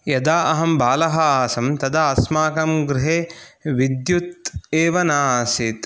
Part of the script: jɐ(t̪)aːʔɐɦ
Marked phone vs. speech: incorrect: d̪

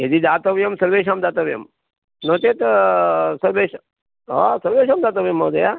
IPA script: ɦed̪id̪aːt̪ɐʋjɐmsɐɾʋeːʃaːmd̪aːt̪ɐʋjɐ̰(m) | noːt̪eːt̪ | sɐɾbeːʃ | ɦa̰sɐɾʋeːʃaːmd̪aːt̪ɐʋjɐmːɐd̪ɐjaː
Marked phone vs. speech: correct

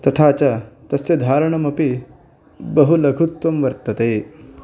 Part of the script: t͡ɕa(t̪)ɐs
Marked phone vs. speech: correct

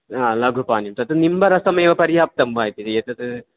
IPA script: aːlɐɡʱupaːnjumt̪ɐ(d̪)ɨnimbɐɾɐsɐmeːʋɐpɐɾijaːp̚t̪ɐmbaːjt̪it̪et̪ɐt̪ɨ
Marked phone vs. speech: incorrect: t̪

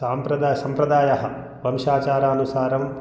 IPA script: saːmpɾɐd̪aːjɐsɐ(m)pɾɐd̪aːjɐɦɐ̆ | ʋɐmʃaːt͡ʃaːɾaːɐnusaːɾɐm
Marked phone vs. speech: correct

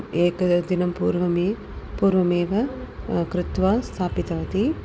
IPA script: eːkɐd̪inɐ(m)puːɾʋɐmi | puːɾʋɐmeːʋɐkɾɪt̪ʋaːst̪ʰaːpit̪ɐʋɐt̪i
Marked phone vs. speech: correct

